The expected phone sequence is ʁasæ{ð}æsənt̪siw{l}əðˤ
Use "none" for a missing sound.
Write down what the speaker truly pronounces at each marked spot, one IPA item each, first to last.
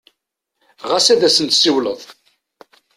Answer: ð, l

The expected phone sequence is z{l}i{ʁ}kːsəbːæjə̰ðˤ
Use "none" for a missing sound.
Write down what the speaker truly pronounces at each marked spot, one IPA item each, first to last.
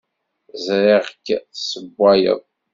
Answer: ɾ, ʁ

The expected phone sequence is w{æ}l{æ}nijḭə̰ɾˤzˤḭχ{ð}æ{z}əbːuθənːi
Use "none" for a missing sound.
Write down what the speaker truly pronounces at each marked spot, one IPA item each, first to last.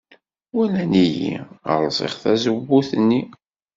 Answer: æ, æ, θ, z

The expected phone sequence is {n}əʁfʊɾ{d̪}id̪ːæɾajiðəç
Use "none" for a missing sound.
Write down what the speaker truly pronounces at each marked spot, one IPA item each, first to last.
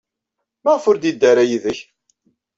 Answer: m, d̪

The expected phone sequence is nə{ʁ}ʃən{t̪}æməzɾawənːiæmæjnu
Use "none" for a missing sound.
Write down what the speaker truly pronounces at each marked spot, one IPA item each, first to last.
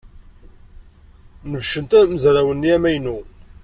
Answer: v, t̪

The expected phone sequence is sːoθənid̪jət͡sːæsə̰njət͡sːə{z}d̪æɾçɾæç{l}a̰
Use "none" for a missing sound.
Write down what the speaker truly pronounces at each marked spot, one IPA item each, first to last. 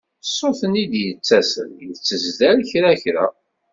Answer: z, ɾ

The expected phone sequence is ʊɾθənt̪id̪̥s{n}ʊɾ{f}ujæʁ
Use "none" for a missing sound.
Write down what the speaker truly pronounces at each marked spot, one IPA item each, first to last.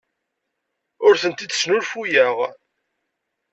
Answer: n, f

